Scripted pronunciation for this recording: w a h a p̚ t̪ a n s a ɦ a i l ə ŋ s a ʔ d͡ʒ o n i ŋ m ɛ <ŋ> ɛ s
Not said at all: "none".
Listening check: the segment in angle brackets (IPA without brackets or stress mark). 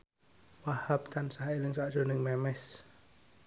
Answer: m